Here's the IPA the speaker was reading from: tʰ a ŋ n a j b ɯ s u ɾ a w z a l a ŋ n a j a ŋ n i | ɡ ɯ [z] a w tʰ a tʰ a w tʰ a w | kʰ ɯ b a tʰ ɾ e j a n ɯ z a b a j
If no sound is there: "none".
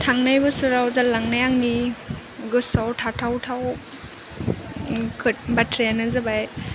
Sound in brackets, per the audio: s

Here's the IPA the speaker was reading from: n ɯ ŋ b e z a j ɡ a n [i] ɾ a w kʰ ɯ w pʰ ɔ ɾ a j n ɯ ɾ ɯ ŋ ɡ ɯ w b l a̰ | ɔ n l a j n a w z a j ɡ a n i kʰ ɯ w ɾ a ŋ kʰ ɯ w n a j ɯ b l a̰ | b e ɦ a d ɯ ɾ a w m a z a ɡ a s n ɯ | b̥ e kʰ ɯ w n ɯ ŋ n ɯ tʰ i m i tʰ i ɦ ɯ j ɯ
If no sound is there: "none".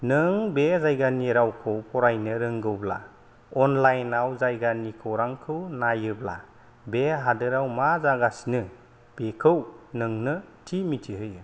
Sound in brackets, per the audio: i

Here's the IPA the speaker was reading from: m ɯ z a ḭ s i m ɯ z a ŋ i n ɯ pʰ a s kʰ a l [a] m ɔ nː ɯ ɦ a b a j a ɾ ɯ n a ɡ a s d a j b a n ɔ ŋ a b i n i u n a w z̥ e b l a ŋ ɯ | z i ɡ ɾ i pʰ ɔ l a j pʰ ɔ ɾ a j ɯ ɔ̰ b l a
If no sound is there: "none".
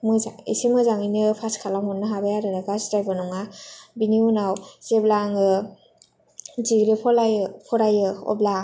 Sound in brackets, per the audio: a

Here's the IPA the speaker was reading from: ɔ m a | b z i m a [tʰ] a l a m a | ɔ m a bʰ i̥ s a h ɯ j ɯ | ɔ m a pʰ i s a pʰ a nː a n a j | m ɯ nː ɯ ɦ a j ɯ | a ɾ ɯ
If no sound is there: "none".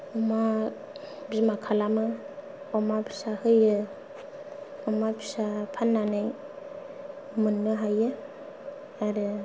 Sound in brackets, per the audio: kʰ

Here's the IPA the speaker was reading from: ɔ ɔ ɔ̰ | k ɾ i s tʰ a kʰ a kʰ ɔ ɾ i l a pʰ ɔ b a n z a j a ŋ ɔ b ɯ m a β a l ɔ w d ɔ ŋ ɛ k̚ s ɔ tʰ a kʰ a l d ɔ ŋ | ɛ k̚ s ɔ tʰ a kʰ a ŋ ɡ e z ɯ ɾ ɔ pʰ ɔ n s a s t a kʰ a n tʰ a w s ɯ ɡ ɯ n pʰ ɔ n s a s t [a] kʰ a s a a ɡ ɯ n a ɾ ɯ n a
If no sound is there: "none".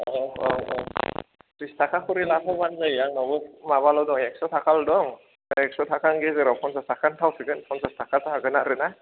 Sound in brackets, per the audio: a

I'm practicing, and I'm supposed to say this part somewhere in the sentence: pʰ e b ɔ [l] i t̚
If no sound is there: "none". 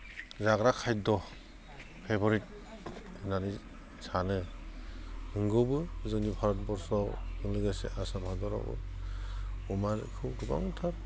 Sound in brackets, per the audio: ɾ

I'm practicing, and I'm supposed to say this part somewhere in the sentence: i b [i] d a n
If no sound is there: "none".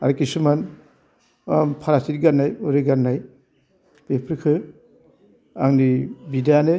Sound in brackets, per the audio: i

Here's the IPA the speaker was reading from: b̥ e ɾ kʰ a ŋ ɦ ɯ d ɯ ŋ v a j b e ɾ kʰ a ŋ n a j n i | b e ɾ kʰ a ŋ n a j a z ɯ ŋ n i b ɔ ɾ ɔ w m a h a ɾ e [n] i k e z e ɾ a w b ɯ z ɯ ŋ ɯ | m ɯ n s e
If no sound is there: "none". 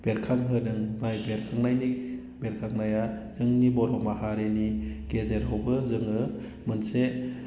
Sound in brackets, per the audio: n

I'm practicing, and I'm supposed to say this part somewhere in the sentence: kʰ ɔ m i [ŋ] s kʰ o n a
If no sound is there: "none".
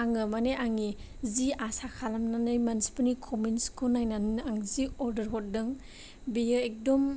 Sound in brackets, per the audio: n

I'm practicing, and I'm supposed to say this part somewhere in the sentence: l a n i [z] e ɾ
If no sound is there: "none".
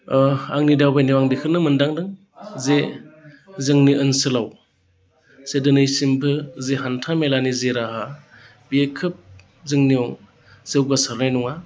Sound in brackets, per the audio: z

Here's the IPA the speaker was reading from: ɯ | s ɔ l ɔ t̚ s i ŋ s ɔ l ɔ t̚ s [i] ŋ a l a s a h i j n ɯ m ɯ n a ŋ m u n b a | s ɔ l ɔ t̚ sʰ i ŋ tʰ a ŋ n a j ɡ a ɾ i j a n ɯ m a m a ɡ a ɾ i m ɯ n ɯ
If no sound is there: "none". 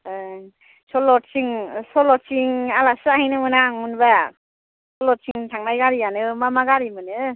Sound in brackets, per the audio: i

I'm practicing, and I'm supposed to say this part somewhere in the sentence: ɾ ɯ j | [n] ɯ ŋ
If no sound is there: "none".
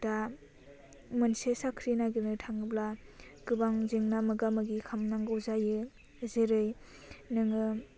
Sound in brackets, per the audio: n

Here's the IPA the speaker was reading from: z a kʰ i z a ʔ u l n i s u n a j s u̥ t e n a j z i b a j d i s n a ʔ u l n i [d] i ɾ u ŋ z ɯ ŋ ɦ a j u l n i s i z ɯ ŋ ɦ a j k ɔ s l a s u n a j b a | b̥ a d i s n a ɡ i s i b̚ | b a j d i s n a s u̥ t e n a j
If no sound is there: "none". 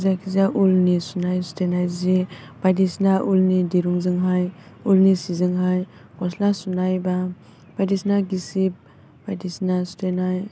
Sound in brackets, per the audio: d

